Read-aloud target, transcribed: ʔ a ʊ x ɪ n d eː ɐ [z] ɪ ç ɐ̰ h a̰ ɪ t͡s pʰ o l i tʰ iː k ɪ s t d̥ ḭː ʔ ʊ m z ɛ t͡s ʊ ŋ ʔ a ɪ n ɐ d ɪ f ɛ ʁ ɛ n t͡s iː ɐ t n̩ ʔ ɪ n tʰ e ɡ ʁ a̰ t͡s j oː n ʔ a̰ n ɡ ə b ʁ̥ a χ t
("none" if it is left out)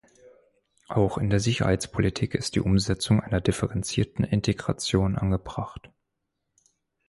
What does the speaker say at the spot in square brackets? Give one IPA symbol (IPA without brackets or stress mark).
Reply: z